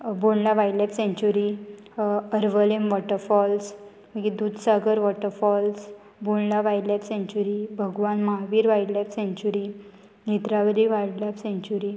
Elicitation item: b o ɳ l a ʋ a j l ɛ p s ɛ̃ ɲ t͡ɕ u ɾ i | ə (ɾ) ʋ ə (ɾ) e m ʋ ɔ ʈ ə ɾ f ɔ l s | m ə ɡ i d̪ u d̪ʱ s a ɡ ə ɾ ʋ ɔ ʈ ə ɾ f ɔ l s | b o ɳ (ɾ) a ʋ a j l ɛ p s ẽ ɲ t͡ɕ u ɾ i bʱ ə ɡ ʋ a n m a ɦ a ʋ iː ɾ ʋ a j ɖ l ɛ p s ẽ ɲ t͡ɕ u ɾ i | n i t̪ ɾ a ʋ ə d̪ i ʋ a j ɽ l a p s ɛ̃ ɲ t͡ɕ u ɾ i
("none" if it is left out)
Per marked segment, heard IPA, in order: ɾ, l, l

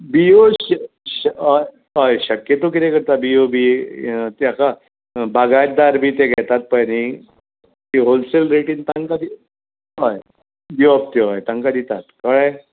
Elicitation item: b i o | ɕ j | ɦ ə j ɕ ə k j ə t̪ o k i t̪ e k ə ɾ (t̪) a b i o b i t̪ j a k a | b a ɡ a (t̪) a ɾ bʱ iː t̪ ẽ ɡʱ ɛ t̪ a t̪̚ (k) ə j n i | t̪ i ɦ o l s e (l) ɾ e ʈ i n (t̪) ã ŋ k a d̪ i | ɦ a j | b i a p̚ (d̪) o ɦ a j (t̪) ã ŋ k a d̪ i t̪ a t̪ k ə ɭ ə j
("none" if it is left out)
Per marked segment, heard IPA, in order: t̪, d̪, p, l, t̪, t̪, t̪

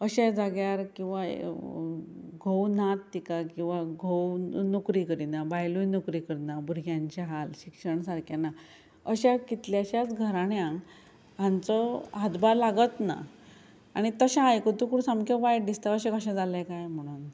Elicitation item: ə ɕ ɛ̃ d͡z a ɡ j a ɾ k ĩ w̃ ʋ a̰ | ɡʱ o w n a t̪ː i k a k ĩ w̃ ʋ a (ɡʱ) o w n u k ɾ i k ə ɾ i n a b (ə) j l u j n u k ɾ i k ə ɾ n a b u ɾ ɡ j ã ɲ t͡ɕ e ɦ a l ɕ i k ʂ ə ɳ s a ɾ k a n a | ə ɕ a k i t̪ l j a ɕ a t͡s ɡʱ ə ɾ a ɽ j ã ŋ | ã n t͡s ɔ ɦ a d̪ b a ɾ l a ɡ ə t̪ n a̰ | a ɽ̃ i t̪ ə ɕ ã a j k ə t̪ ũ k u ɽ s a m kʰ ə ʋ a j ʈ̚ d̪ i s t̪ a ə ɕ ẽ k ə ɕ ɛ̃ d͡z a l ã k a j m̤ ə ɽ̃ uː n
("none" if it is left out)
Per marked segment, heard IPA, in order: ɡʱ, a

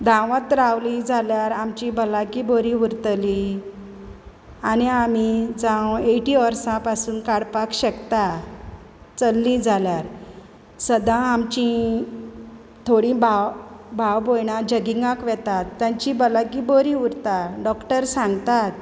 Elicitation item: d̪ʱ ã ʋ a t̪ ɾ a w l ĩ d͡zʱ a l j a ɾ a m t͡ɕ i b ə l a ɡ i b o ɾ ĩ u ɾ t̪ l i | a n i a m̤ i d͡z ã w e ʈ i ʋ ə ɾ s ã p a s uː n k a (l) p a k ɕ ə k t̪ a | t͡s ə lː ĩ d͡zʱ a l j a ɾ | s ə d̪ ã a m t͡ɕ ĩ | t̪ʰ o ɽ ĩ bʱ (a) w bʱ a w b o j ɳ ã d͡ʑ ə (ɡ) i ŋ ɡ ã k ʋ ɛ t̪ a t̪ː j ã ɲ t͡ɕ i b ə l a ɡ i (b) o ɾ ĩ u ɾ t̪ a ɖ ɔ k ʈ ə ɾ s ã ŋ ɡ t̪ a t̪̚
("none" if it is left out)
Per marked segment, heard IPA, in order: ɽ, a, ɡ, b

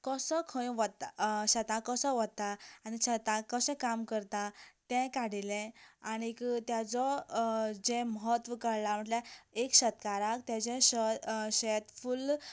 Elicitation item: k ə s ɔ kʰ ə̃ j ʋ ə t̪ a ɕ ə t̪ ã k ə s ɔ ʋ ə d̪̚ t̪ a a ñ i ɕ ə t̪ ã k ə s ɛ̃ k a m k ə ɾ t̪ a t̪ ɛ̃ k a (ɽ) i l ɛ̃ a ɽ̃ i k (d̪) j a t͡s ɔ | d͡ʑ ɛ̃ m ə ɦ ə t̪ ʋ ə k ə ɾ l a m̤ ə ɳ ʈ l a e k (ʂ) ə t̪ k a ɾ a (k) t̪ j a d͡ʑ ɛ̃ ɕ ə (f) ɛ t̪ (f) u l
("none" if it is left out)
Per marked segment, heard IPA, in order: ɽ, t̪, ɕ, k, ɕ, f

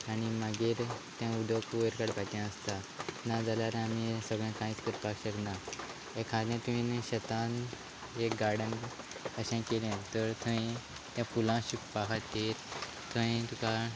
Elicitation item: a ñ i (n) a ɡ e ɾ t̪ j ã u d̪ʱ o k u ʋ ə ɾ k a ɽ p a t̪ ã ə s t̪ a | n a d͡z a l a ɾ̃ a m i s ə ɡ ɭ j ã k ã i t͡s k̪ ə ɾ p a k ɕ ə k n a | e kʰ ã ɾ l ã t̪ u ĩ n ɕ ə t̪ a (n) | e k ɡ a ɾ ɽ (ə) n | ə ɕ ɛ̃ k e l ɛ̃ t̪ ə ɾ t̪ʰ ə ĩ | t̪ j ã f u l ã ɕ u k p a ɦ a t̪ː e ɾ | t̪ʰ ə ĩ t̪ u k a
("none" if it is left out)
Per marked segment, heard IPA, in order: m, n, ə

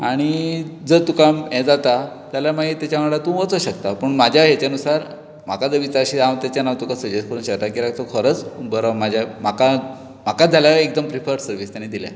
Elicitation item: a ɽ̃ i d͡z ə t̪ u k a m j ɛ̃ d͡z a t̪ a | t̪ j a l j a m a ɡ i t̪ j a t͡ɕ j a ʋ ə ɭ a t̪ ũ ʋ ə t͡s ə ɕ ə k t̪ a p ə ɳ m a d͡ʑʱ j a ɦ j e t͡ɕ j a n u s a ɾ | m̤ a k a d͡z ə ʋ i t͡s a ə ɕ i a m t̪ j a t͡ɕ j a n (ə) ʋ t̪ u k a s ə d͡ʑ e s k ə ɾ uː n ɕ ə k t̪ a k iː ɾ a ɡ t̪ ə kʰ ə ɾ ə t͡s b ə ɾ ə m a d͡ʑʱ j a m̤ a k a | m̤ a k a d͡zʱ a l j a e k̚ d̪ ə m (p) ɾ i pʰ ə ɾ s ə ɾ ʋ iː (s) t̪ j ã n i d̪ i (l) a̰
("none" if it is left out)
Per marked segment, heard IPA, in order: a, p, s, l

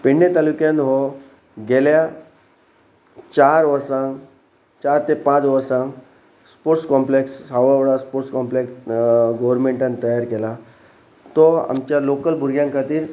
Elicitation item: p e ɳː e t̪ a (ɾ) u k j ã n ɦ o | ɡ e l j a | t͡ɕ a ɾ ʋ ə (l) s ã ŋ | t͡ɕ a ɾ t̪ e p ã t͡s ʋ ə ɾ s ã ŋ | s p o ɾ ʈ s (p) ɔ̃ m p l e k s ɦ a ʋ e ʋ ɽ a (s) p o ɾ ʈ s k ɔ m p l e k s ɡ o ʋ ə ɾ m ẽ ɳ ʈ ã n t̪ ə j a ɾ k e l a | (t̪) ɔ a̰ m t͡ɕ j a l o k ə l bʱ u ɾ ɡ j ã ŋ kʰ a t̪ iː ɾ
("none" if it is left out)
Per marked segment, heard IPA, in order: l, ɾ, k, s, t̪

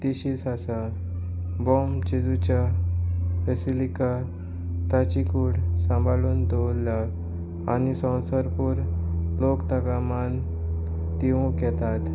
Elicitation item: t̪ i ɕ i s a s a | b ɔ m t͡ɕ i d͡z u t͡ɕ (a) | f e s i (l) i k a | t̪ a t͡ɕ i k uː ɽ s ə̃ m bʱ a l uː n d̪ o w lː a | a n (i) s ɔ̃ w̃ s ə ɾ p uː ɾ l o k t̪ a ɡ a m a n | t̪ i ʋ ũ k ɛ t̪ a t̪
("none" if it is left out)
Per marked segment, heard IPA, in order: a, l, i

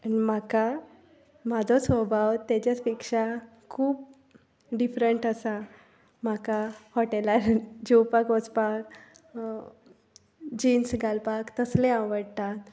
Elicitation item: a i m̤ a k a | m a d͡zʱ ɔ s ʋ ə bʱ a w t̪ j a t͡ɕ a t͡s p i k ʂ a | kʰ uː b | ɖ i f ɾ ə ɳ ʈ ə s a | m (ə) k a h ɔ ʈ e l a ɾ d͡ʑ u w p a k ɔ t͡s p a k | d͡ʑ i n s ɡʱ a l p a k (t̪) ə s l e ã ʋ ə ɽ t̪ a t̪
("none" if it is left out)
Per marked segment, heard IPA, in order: a, t̪

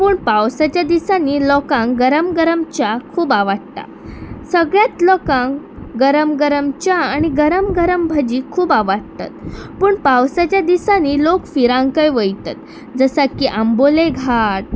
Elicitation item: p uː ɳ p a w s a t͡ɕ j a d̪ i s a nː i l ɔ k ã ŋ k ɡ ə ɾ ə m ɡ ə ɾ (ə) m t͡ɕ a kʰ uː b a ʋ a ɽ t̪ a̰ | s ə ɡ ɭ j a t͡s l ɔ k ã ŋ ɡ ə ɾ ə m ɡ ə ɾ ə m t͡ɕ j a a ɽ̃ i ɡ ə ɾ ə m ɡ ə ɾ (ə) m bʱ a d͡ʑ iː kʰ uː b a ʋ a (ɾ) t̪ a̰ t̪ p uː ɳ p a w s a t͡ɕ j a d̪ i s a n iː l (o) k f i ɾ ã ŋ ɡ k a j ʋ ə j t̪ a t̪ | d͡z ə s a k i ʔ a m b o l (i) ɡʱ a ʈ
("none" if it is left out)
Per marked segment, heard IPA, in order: ə, ə, ɽ, o, e

